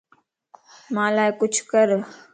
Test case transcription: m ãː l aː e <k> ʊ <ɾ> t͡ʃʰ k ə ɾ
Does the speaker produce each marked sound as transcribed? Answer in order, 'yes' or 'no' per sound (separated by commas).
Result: yes, no